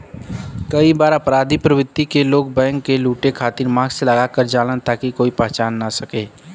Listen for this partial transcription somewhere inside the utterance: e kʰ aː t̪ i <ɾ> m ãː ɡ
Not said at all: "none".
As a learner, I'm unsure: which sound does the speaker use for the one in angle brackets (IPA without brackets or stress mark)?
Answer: ɾ